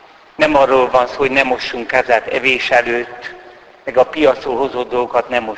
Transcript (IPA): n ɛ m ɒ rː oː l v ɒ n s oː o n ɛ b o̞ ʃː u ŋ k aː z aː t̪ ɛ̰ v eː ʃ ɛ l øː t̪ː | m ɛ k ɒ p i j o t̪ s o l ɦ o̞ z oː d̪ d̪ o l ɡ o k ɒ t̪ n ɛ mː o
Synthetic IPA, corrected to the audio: n ɛ m ɒ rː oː l v ɒ n s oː o n ɛ m o̞ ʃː u ŋ k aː z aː t̪ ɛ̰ v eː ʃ ɛ l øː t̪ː | m ɛ ɡ ɒ p i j ɒ t̪ s o l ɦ o̞ z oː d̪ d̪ o l ɡ o k ɒ t̪ n ɛ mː o